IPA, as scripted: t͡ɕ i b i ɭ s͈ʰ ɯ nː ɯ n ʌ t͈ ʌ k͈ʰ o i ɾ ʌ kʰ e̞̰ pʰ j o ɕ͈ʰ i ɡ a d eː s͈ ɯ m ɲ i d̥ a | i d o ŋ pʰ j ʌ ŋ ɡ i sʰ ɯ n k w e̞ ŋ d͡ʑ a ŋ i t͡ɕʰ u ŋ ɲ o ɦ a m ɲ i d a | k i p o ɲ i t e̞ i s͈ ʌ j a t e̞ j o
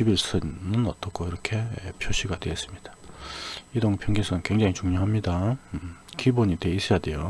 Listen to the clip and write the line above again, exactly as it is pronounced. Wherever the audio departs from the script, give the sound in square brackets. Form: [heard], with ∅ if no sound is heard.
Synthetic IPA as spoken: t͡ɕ i b i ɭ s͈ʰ ɯ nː ɯ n ʌ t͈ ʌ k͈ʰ o i ɾ ʌ kʰ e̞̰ pʰ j o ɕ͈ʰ i ɡ a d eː s͈ ɯ m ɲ i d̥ a | i d o ŋ pʰ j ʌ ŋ ɡ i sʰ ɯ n k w e̞ ŋ d͡ʑ a ŋ i [t͡ɕ] u ŋ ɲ o ɦ a m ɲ i d a | k i [b] o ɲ i t e̞ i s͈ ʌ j a [d] e̞ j o